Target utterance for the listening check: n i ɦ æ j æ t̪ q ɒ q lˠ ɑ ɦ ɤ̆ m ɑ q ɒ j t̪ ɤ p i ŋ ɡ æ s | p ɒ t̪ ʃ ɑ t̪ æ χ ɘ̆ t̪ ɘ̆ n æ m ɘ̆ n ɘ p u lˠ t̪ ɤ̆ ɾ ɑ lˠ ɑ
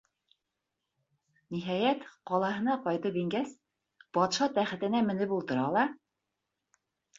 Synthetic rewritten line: n i ɦ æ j æ t̪ q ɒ lˠ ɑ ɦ ɤ̆ n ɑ q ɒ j t̪ ɤ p i ŋ ɡ æ s | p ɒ t̪ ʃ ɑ t̪ æ χ ɘ̆ t̪ ɘ̆ n æ m ɘ̆ n ɘ p u lˠ t̪ ɤ̆ ɾ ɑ lˠ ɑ